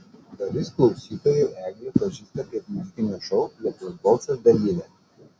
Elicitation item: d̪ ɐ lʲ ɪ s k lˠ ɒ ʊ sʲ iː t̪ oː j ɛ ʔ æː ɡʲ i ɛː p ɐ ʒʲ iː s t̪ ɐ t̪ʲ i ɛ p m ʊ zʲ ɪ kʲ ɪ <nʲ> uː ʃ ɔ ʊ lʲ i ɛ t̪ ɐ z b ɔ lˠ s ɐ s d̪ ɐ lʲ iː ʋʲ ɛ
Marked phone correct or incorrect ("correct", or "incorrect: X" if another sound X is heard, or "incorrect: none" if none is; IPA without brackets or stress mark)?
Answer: correct